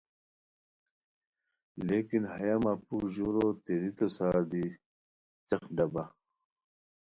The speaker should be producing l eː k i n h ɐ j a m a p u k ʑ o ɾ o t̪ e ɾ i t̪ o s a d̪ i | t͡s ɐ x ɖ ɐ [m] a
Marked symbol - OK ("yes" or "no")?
no